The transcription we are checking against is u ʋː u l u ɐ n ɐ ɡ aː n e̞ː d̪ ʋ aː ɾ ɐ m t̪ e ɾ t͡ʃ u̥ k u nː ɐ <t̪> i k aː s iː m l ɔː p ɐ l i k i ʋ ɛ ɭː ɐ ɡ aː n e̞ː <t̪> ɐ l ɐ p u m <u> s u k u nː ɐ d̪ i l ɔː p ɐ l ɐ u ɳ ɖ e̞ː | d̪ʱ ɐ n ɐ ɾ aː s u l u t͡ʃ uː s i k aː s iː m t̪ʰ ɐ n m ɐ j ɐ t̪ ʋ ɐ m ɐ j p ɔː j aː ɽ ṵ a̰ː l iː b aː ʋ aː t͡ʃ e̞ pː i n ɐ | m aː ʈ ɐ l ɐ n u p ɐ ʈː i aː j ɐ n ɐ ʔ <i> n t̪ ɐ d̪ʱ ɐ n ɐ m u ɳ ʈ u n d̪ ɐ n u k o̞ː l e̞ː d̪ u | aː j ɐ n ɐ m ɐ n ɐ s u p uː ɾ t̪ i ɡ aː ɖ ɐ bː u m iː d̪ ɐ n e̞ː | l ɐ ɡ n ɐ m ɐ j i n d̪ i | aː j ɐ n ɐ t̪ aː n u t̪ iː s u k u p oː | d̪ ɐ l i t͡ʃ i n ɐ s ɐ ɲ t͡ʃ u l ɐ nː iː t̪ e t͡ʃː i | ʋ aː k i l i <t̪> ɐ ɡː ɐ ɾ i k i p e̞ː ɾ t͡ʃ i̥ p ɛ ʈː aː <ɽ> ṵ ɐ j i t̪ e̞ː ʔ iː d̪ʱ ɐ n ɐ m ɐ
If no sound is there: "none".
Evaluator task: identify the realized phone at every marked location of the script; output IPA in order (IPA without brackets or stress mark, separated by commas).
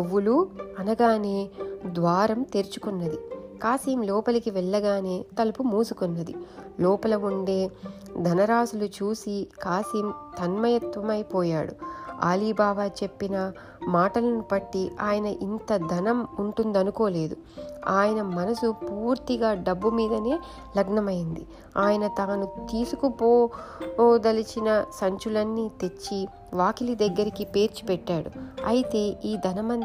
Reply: d̪, t̪, uː, i, d̪, ɽ